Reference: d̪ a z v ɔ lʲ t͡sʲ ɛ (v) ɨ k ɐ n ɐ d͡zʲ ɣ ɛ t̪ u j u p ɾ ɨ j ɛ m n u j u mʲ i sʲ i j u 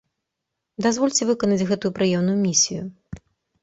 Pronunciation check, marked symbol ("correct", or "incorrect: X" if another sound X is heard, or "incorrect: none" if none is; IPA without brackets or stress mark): correct